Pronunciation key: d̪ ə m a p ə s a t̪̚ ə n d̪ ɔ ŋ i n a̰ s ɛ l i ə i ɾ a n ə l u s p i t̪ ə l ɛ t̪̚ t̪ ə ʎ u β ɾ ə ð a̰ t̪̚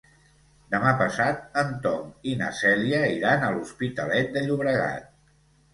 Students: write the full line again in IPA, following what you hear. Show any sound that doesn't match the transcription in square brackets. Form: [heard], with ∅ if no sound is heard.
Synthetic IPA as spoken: d̪ ə m a p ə s a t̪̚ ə n [t̪] ɔ ŋ i n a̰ s ɛ l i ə i ɾ a n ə l u s p i t̪ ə l ɛ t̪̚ [d̪] ə ʎ u β ɾ ə [ɣ] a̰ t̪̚